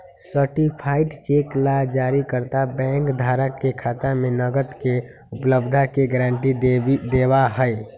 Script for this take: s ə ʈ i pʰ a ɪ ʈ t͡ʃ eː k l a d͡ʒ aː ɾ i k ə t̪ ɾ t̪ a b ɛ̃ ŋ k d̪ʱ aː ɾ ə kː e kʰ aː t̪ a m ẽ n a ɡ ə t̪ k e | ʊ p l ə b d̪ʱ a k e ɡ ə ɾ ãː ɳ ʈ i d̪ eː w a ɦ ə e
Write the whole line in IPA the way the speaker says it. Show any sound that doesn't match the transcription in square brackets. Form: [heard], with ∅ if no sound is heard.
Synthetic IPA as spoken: s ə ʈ i pʰ a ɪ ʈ t͡ʃ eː k l a d͡ʒ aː ɾ i k ə [∅] ɾ t̪ a b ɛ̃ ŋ k d̪ʱ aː ɾ ə kː e kʰ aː t̪ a m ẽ n [ə] ɡ ə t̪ k e | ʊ p l ə b d̪ʱ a k e ɡ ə ɾ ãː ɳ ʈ i d̪ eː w a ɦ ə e